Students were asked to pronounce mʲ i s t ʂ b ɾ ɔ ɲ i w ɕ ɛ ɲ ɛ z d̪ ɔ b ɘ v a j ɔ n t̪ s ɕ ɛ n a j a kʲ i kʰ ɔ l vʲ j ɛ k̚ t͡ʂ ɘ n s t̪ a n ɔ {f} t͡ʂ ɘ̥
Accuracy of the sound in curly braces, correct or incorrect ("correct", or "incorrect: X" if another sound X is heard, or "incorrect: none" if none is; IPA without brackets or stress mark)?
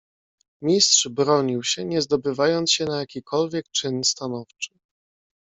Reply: correct